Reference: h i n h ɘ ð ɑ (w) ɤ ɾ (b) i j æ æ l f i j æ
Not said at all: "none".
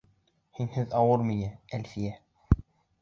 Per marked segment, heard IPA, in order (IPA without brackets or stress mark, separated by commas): w, m